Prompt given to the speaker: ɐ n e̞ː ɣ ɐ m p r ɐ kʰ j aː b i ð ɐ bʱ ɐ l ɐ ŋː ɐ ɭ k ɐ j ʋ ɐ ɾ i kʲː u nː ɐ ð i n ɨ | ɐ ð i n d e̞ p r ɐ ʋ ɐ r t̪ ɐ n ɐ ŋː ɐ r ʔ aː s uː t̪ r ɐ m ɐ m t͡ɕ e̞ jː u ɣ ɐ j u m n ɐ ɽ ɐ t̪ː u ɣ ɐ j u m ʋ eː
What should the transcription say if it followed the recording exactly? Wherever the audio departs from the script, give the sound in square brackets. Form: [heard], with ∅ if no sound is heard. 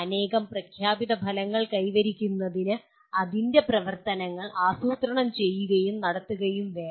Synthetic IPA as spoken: ɐ n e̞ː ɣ ɐ m p r ɐ kʰ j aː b i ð ɐ bʱ ɐ l ɐ ŋː ɐ ɭ k ɐ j ʋ ɐ ɾ i kʲː u nː ɐ ð i n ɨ | ɐ ð i n d e̞ p r ɐ ʋ ɐ r t̪ ɐ n ɐ ŋː ɐ [ɭ] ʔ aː s uː t̪ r ɐ [ɳ] ɐ m t͡ɕ e̞ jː u ɣ ɐ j u m n ɐ ɽ ɐ t̪ː u ɣ ɐ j u m ʋ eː